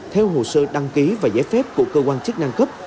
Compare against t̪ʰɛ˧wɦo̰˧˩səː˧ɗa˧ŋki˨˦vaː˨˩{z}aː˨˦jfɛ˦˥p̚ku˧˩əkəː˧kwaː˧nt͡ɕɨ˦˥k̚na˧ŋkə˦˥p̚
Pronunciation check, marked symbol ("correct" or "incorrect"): correct